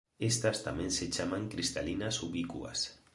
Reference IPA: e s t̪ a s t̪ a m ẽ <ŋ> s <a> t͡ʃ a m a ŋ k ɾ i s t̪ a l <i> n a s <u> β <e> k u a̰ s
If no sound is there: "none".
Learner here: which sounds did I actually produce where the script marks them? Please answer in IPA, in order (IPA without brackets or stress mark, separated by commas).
n, e, i, u, i